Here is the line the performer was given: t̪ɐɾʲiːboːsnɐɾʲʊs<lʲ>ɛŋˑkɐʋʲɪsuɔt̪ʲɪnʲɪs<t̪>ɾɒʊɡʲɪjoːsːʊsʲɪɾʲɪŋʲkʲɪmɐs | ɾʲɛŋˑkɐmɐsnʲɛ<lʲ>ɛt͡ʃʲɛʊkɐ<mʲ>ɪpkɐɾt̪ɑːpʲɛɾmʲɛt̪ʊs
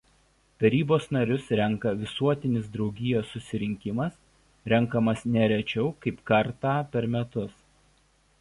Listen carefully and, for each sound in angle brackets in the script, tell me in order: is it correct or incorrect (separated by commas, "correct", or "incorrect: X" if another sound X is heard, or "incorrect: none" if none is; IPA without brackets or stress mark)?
incorrect: ɾʲ, incorrect: d̪, incorrect: ɾʲ, incorrect: none